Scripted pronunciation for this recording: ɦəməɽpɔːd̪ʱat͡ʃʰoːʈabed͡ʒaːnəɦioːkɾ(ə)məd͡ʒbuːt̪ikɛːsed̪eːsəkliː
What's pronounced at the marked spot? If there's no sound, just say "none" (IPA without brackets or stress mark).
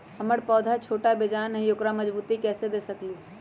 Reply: a